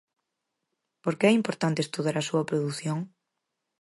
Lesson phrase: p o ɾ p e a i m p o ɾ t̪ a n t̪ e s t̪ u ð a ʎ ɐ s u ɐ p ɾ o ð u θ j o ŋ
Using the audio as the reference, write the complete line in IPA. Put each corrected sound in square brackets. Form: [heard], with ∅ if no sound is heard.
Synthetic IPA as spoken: p o ɾ [k] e [ɛ] i m p o ɾ t̪ a n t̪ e s t̪ u ð a [ɾ] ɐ s u ɐ p ɾ o ð u θ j o ŋ